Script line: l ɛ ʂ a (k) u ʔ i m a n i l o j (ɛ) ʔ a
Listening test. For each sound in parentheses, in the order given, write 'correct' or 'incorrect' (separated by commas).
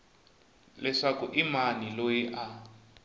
correct, incorrect